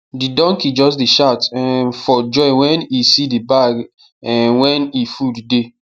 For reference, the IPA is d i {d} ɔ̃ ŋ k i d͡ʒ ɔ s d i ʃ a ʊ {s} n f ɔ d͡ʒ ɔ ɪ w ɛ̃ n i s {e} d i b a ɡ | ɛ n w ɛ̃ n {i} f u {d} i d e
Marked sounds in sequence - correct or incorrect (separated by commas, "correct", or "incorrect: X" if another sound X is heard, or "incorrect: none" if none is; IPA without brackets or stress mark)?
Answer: correct, incorrect: t, incorrect: i, correct, correct